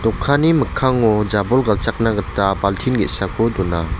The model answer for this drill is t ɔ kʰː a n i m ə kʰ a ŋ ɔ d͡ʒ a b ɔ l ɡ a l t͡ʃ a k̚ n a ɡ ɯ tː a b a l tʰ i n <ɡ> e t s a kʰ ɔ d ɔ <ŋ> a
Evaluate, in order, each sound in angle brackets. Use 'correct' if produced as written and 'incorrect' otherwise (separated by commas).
correct, incorrect